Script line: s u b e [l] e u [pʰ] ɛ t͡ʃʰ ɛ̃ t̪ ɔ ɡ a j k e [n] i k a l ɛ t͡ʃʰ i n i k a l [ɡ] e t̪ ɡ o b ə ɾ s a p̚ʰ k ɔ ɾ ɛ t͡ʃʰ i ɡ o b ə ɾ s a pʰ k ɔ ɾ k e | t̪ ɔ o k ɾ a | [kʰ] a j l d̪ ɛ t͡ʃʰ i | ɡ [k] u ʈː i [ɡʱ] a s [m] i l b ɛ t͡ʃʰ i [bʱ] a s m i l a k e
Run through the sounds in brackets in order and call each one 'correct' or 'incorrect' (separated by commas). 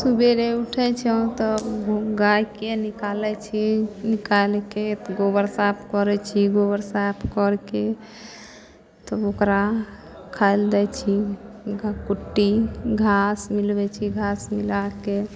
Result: incorrect, incorrect, correct, incorrect, correct, correct, correct, correct, incorrect